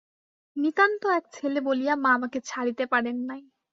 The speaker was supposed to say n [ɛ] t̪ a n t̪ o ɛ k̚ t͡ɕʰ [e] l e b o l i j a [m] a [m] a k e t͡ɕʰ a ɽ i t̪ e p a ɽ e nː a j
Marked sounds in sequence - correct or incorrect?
incorrect: i, correct, correct, correct

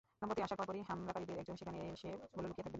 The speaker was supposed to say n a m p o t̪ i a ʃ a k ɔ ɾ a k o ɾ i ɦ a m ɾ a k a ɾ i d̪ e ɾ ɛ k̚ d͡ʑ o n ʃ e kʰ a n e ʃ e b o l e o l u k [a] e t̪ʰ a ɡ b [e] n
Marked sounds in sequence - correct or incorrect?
incorrect: i, correct

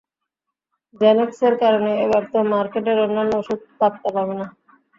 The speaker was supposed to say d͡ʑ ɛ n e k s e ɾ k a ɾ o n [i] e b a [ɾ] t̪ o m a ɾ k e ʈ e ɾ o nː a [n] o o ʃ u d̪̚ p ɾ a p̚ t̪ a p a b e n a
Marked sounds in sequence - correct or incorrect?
incorrect: e, correct, incorrect: nː

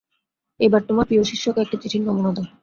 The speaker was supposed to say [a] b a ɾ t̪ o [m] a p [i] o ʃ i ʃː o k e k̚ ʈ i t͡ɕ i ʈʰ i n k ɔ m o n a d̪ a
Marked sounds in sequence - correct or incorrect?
incorrect: e, correct, correct

